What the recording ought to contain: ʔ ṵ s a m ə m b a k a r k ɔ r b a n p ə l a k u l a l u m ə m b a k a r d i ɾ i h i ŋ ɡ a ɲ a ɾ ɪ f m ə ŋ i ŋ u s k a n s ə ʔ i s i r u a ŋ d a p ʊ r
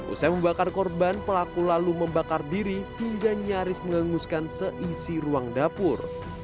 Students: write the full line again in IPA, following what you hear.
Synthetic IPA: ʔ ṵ s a m ə m b a k a r k ɔ r b a n p ə l a k u l a l u m ə m b a k a r d i ɾ i h i ŋ ɡ a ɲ a ɾ ɪ s m ə ŋ a ŋ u s k a n s ə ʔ i s i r u a ŋ d a p ʊ r